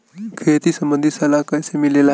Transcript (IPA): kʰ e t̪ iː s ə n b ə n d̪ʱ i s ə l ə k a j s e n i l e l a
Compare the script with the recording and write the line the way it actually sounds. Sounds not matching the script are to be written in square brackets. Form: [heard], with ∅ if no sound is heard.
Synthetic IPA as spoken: kʰ e t̪ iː s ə [m] b ə n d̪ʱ i s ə l [a] k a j s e [m] i l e l a

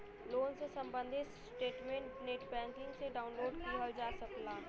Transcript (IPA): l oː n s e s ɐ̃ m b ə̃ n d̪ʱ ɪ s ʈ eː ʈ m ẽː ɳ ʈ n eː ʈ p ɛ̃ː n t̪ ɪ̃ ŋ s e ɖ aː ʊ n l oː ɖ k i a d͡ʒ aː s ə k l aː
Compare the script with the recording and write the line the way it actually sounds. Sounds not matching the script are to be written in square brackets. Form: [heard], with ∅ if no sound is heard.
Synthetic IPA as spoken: l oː n s e s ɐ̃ m b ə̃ n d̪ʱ ɪ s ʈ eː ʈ m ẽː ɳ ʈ n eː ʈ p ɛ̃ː n t̪ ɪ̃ ŋ s e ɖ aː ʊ n l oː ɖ k i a d͡ʒ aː s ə k l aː

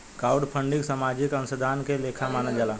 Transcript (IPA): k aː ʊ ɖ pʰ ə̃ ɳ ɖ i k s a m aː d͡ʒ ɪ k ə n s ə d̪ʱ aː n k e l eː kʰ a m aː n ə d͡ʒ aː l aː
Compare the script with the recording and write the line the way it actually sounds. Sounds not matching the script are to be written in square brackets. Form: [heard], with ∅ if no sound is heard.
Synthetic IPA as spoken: k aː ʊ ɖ pʰ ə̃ ɳ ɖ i k s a m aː d͡ʒ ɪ k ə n s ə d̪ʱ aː n k e l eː kʰ a m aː n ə d͡ʒ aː l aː

